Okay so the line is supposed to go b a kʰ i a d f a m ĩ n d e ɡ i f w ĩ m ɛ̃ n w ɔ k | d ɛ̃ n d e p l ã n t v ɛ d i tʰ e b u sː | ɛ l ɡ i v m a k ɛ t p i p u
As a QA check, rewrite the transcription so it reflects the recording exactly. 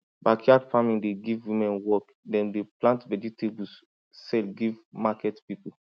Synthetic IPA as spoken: b a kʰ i a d f a m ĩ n d e ɡ i v w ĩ m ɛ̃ n w ɔ k | d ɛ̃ n d e p l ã n t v ɛ d i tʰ e b u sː | ɛ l ɡ i v m a k ɛ t p i p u